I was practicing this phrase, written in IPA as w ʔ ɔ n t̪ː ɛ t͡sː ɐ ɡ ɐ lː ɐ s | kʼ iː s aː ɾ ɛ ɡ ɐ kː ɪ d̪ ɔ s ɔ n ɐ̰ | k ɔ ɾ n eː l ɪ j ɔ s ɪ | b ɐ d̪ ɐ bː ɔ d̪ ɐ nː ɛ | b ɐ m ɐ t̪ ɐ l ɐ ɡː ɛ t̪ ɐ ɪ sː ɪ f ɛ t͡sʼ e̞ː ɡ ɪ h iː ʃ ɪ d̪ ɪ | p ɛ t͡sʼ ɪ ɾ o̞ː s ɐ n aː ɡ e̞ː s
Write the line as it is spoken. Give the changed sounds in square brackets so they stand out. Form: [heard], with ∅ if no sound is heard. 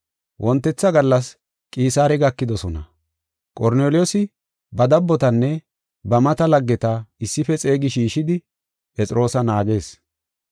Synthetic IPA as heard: w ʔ ɔ n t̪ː ɛ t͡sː ɐ ɡ ɐ lː ɐ s | kʼ iː s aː ɾ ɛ ɡ ɐ kː ɪ d̪ ɔ s ɔ n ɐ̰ | [kʼ] ɔ ɾ n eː l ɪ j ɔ s ɪ | b ɐ d̪ ɐ bː ɔ [t̪] ɐ nː ɛ | b ɐ m ɐ t̪ ɐ l ɐ ɡː ɛ t̪ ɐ ɪ sː ɪ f ɛ t͡sʼ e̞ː ɡ ɪ [ʃ] iː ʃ ɪ d̪ ɪ | p ɛ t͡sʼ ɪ ɾ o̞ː s ɐ n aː ɡ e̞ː s

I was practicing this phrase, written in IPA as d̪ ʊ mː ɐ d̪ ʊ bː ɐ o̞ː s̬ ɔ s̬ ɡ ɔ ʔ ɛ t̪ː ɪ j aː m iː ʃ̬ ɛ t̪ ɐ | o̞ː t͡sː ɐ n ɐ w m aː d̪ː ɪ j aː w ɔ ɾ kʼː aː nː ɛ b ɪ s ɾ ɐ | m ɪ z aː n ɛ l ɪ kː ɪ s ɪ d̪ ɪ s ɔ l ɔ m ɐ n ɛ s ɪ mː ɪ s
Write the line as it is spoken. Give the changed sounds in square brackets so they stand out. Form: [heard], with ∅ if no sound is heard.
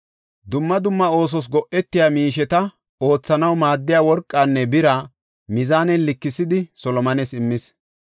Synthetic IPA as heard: d̪ ʊ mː ɐ d̪ ʊ [mː] ɐ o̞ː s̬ ɔ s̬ ɡ ɔ ʔ ɛ t̪ː ɪ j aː m iː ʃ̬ ɛ t̪ ɐ | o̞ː t͡sː ɐ n ɐ w m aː d̪ː ɪ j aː w ɔ ɾ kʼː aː nː ɛ b ɪ [∅] ɾ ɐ | m ɪ z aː n ɛ l ɪ kː ɪ s ɪ d̪ ɪ s ɔ l ɔ m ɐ n ɛ s ɪ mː ɪ s

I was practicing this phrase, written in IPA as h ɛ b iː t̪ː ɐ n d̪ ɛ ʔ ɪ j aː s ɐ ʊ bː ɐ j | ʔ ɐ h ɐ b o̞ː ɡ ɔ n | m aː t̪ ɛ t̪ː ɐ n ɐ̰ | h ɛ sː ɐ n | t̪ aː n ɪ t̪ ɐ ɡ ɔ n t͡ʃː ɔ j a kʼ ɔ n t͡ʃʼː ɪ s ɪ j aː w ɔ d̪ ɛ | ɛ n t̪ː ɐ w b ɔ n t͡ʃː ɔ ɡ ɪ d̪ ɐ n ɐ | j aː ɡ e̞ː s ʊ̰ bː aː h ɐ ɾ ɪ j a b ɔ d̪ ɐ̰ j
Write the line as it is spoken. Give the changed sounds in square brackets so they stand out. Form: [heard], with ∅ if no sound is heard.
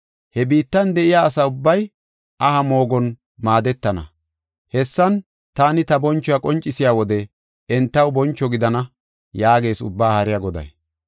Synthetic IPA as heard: h ɛ b iː t̪ː ɐ n d̪ ɛ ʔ ɪ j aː s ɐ ʊ bː ɐ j | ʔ ɐ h ɐ [m] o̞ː ɡ ɔ n | m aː [d̪] ɛ t̪ː ɐ n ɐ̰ | h ɛ sː ɐ n | t̪ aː n ɪ t̪ ɐ [b] ɔ n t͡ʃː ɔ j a kʼ ɔ n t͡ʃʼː ɪ s ɪ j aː w ɔ d̪ ɛ | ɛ n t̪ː ɐ w b ɔ n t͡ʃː ɔ ɡ ɪ d̪ ɐ n ɐ | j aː ɡ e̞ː s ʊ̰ bː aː h ɐ ɾ ɪ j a [ɡ] ɔ d̪ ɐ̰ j

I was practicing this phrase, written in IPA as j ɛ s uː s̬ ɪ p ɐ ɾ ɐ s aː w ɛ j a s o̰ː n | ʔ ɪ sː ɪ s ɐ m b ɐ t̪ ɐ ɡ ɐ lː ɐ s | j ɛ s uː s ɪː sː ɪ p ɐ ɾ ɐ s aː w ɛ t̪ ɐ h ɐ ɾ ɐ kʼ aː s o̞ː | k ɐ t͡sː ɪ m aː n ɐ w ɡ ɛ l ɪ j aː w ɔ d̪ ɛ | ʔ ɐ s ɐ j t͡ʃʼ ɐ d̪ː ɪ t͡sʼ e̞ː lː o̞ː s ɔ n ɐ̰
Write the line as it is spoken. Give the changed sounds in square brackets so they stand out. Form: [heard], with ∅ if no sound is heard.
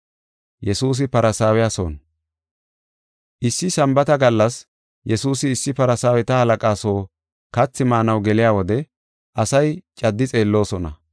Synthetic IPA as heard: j ɛ s uː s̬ ɪ p ɐ ɾ ɐ s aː w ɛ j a s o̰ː n | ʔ ɪ sː ɪ s ɐ m b ɐ t̪ ɐ ɡ ɐ lː ɐ s | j ɛ s uː s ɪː sː ɪ p ɐ ɾ ɐ s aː w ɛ t̪ ɐ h ɐ [l] ɐ kʼ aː s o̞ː | k ɐ t͡sː ɪ m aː n ɐ w ɡ ɛ l ɪ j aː w ɔ d̪ ɛ | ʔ ɐ s ɐ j t͡ʃʼ ɐ d̪ː ɪ t͡sʼ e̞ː lː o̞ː s ɔ n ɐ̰

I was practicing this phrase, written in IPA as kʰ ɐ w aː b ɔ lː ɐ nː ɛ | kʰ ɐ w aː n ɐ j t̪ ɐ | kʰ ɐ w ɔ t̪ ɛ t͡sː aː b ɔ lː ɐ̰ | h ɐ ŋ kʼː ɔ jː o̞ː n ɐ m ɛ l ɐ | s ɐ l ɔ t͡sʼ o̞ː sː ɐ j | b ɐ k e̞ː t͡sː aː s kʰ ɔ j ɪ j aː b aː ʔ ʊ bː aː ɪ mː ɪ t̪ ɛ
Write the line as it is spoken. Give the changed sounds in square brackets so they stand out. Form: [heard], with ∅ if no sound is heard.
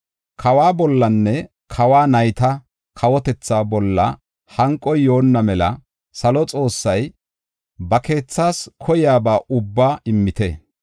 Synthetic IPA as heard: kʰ ɐ w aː b ɔ lː ɐ nː ɛ | kʰ ɐ w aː n ɐ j t̪ ɐ | kʰ ɐ w ɔ t̪ ɛ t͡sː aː b ɔ lː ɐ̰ | h ɐ ŋ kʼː ɔ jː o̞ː [nː] ɐ m ɛ l ɐ | s ɐ l ɔ t͡sʼ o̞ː sː ɐ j | b ɐ k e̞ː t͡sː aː s kʰ ɔ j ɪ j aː b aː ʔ ʊ bː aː ɪ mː ɪ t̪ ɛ

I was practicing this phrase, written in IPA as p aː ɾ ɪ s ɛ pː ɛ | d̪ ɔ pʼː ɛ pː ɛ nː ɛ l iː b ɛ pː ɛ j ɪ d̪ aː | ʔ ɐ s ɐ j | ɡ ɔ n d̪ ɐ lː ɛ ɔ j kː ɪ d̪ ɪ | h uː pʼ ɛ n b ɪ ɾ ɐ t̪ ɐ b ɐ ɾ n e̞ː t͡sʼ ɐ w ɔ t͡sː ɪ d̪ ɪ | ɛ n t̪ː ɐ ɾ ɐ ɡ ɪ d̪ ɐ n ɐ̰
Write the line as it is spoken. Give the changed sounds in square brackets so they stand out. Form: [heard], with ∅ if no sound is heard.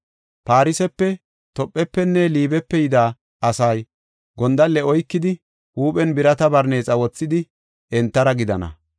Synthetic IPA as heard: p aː ɾ ɪ s ɛ pː ɛ | [t̪] ɔ pʼː ɛ pː ɛ nː ɛ l iː b ɛ pː ɛ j ɪ d̪ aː | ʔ ɐ s ɐ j | ɡ ɔ n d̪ ɐ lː ɛ ɔ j kː ɪ d̪ ɪ | h uː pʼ ɛ n b ɪ ɾ ɐ t̪ ɐ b ɐ ɾ n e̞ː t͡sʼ ɐ w ɔ t͡sː ɪ d̪ ɪ | ɛ n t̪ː ɐ ɾ ɐ ɡ ɪ d̪ ɐ n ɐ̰

